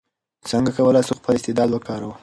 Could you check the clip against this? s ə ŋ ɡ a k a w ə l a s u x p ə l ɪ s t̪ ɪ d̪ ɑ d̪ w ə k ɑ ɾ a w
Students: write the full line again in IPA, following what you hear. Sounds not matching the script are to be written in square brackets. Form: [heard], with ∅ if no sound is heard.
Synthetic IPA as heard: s ə ŋ ɡ a k a w ə l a s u x p ə l ɪ s t̪ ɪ d̪ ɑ d̪ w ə k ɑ ɾ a w

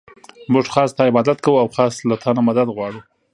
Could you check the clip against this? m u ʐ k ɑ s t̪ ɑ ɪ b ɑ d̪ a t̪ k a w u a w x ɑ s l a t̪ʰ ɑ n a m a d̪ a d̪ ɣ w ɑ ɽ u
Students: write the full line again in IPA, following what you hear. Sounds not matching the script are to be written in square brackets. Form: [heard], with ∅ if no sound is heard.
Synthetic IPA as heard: m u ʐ [x] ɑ s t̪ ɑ ɪ b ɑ d̪ a t̪ k a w u a w x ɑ s l a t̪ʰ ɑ n a m a d̪ a d̪ ɣ w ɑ ɽ u

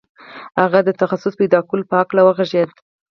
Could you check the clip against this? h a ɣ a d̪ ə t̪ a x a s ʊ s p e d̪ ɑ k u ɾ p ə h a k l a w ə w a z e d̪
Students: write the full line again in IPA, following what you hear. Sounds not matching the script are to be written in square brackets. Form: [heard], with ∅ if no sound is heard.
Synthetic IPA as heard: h a ɣ a d̪ ə t̪ a x a s ʊ s p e d̪ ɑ k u [l] p ə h a k l a w ə [ɣ] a [ʒ] e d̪

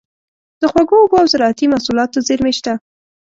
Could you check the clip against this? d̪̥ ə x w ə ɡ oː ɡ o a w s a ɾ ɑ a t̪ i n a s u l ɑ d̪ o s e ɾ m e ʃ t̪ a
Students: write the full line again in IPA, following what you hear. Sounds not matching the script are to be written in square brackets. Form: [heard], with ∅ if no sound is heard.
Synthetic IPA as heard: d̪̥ ə x w [a] ɡ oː ɡ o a w [z] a ɾ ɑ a t̪ i [m] a s u l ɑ [t̪] o [z] e ɾ m e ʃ t̪ a

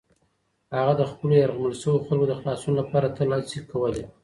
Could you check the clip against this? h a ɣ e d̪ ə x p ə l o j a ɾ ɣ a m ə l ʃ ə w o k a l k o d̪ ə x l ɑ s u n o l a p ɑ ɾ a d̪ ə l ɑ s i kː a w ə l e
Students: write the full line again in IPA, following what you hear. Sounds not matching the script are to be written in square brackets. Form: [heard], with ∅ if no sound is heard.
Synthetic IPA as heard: h a ɣ [a] d̪ ə x p ə l o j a ɾ ɣ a m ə l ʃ ə w o [x] a l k o d̪ ə x l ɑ s u n o l a p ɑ ɾ a [t̪] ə l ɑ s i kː a w ə l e

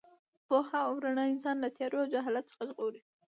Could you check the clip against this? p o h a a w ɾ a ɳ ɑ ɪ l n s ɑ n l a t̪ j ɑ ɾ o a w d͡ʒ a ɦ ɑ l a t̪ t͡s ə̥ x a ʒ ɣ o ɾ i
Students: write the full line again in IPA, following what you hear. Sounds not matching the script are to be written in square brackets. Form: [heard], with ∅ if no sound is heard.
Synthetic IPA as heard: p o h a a w ɾ a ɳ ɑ ɪ [∅] n s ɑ n l a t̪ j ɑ ɾ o a w d͡ʒ a ɦ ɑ l a t̪ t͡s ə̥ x a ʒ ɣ o ɾ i

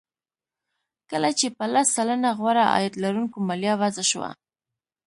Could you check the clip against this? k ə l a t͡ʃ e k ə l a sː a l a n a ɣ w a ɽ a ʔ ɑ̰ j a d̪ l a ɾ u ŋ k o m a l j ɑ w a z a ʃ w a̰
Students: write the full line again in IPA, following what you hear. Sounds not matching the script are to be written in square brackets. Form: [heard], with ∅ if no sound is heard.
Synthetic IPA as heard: k ə l a t͡ʃ e [p] ə l a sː a l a n a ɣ w a [ɾ] a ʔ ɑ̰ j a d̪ l a ɾ u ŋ k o m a l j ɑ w a z a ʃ w a̰

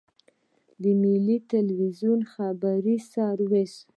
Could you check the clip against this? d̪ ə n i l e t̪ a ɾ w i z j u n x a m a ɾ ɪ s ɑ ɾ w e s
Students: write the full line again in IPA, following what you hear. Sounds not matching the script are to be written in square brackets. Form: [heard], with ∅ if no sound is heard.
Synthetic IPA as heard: d̪ ə [m] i l [i] t̪ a [l] w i z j u n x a [b] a ɾ [i] s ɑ ɾ w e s

